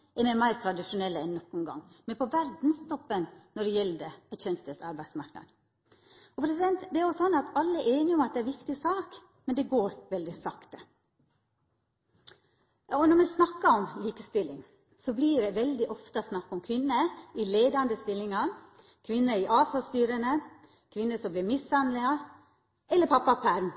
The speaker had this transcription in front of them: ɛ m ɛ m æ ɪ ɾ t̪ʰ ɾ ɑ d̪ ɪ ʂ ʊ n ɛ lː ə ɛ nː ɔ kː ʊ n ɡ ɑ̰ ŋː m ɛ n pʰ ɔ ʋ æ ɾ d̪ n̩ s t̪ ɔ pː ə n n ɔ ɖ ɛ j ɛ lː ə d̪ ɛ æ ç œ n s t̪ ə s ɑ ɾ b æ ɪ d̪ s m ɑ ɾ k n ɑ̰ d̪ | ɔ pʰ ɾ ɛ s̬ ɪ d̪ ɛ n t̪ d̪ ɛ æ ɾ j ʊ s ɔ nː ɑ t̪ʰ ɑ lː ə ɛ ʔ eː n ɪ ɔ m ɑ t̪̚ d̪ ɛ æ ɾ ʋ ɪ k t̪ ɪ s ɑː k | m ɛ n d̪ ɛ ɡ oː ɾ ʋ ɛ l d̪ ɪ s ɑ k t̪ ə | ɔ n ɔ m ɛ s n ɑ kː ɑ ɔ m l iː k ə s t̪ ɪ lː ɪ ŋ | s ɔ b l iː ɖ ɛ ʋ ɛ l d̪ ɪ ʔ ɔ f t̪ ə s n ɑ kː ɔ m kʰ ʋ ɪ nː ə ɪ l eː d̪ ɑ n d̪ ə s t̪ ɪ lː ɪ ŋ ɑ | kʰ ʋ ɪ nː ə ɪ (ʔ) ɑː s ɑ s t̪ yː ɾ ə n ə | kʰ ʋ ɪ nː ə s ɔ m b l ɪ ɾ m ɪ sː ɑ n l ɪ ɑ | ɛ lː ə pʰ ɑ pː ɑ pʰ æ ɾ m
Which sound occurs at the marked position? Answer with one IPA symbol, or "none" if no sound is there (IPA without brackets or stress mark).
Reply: ʔ